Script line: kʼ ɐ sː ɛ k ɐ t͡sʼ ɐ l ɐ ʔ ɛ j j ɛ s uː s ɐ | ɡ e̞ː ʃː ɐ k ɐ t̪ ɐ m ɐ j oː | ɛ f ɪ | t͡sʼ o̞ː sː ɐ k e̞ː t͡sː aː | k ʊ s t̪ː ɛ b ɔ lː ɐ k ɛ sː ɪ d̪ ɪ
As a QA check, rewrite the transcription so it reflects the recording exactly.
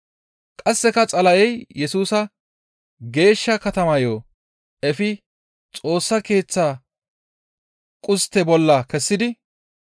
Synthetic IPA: kʼ ɐ sː ɛ k ɐ t͡sʼ ɐ l ɐ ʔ ɛ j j ɛ s uː s ɐ | ɡ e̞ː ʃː ɐ k ɐ t̪ ɐ m ɐ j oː | ɛ f ɪ | t͡sʼ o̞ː sː ɐ k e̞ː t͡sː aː | kʼ ʊ s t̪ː ɛ b ɔ lː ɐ k ɛ sː ɪ d̪ ɪ